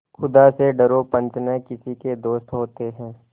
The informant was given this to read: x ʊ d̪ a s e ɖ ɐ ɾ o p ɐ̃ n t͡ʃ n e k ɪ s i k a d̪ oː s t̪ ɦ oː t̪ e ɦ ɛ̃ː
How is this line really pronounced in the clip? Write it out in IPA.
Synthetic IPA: x ʊ d̪ a s e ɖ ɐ ɾ o p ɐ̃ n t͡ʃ n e k ɪ s i k e d̪ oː s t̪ ɦ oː t̪ e ɦ ɛ̃ː